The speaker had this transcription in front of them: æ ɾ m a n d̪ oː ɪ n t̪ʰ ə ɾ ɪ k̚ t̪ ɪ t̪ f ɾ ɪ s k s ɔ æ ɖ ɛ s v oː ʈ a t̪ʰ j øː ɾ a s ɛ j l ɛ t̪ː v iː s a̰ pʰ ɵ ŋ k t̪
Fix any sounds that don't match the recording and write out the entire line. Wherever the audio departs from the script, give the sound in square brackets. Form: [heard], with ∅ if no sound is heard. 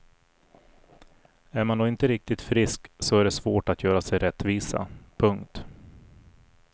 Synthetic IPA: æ ɾ m a n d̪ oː ɪ n [t̪] ə ɾ ɪ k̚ t̪ ɪ t̪ f ɾ ɪ s k s ɔ æ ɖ ɛ s v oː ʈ a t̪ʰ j [œː] ɾ a s ɛ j [ɾ] ɛ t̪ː v iː s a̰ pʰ ɵ ŋ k t̪